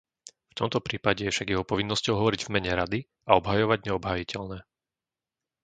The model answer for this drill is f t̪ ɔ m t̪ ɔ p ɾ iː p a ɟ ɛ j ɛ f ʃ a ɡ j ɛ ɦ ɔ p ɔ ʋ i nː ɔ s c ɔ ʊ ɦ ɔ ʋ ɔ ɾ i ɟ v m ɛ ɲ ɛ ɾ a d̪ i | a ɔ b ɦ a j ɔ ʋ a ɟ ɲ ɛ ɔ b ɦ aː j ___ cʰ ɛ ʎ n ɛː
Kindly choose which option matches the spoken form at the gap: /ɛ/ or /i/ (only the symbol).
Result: i